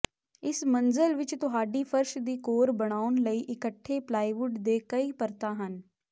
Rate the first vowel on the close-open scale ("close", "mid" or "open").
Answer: close